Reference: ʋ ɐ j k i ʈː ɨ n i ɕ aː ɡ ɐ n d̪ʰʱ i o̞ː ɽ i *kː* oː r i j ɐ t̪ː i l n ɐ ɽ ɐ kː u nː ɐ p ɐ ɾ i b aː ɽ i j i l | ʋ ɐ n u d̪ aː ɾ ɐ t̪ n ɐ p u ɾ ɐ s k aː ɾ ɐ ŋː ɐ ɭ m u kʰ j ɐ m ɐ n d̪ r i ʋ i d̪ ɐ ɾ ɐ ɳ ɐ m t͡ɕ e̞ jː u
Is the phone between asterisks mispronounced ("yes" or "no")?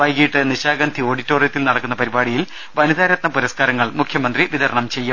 yes